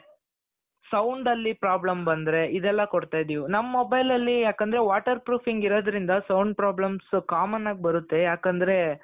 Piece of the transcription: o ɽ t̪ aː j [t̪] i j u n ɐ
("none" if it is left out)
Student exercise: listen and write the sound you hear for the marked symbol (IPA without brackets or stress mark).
d̪